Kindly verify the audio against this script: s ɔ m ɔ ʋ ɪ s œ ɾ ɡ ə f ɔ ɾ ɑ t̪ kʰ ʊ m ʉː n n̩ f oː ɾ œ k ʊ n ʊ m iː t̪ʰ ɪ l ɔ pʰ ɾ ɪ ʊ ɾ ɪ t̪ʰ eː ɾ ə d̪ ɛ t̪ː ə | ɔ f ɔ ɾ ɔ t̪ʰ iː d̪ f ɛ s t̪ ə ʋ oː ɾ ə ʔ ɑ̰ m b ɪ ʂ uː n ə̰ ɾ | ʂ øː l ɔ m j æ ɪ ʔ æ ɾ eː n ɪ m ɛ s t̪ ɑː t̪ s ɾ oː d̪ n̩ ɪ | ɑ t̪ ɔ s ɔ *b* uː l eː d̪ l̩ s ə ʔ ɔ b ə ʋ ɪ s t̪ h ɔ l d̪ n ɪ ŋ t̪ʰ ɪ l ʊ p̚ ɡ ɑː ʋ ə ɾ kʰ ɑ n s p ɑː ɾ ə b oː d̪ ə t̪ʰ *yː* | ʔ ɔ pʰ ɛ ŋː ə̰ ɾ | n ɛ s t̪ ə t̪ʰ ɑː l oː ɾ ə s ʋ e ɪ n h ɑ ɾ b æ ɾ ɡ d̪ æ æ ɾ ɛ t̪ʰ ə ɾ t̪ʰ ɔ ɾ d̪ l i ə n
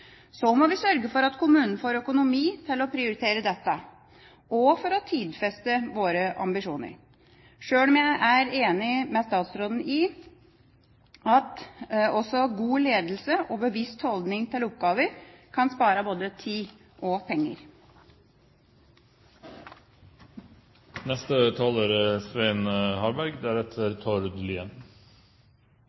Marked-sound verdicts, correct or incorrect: incorrect, incorrect

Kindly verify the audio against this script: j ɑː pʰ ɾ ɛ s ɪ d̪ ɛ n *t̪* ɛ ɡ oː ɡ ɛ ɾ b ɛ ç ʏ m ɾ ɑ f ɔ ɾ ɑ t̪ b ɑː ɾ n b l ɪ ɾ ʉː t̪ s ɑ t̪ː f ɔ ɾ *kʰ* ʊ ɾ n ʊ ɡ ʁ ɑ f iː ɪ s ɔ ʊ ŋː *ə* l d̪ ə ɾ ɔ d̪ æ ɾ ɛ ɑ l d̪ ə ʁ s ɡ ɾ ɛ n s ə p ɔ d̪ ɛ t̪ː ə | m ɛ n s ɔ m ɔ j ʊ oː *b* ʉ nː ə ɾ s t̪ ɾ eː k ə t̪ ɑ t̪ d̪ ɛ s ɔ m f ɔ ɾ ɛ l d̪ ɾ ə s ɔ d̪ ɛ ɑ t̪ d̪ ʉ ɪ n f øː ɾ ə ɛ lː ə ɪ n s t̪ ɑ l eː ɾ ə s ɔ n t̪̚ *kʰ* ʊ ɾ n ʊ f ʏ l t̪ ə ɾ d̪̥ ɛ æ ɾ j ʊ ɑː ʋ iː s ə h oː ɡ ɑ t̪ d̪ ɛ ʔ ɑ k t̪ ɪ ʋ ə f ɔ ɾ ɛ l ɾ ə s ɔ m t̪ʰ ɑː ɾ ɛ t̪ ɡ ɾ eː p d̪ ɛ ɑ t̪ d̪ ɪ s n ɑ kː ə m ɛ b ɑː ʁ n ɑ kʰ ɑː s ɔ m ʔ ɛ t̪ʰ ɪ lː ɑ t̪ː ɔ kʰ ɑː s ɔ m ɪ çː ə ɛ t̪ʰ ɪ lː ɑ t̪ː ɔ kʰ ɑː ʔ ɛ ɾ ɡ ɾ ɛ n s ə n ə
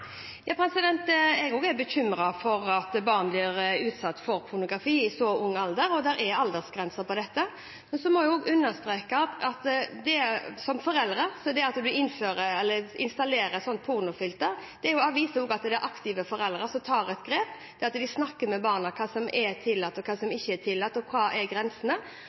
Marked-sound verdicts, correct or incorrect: correct, incorrect, incorrect, incorrect, incorrect

